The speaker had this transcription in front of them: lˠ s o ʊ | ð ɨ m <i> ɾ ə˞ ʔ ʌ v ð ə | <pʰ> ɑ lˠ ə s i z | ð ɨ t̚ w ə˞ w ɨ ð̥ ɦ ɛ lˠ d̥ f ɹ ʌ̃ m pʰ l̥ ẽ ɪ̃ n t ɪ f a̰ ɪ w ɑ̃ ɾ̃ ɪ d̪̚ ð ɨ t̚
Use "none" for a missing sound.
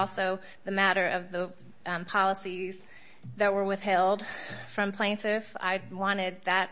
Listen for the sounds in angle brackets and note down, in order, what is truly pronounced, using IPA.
æ, pʰ

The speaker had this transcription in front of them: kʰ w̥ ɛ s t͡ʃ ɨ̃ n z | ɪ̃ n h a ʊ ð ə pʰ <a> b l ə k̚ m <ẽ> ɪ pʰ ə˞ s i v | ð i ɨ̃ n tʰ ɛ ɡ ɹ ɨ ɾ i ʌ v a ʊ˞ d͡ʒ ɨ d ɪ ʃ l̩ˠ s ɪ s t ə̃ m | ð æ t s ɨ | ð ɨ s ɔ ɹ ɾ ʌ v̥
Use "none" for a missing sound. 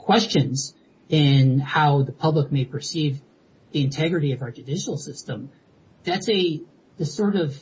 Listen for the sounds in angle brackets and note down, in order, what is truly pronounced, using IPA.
ʌ, e

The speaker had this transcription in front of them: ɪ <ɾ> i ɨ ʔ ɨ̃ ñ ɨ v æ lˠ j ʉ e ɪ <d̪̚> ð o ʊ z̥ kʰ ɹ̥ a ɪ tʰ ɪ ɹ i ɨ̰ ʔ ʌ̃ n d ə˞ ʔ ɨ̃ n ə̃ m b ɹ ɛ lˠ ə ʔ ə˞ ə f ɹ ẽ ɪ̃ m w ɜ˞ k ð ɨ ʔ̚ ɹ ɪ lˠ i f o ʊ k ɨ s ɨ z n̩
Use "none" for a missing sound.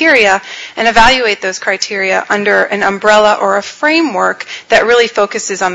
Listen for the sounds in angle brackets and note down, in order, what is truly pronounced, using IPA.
ɹ, t̪̚

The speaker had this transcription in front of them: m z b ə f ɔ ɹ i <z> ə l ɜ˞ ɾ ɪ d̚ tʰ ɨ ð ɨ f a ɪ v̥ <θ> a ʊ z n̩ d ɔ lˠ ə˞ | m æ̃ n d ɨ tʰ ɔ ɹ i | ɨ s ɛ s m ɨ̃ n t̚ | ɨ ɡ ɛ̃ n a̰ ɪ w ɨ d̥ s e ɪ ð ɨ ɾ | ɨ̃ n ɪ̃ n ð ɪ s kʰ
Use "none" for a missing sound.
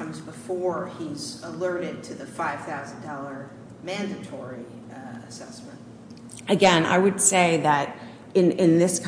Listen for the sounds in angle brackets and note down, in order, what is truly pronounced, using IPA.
z, θ

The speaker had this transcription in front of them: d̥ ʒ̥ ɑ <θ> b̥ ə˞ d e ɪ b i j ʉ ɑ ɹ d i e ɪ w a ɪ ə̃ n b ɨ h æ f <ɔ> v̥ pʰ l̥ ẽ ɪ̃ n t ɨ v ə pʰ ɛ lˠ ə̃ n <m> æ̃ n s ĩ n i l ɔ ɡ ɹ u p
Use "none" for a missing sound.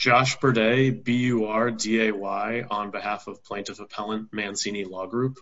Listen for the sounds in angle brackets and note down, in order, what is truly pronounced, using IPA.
ʃ, ʌ, m

